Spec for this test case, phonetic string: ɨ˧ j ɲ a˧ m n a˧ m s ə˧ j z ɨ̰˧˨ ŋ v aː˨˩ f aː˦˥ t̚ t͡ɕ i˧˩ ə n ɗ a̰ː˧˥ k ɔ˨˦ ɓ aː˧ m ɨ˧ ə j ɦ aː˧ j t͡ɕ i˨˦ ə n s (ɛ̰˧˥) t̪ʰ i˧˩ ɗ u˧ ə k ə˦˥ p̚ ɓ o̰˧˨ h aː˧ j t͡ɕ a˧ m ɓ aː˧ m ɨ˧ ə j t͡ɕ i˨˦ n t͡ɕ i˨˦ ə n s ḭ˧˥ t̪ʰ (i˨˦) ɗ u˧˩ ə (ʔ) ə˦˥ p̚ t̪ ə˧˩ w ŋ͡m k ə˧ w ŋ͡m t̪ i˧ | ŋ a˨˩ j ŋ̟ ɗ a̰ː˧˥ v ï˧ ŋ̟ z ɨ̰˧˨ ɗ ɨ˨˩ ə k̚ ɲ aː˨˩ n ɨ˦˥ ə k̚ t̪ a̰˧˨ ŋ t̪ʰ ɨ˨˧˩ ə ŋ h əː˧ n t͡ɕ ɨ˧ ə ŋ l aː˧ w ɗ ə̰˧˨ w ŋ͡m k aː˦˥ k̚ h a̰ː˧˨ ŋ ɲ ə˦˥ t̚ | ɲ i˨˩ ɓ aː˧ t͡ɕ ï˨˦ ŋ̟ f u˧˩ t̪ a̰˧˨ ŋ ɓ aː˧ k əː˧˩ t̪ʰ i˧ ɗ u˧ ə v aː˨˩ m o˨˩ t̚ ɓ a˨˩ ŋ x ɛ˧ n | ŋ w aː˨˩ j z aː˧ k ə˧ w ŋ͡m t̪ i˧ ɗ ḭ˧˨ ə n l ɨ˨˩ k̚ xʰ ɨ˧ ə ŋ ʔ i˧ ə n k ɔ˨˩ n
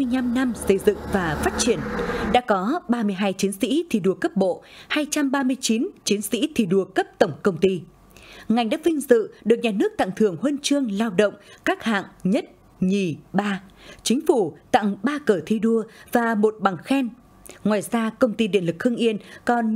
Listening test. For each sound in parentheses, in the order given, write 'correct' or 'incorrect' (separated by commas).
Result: incorrect, incorrect, incorrect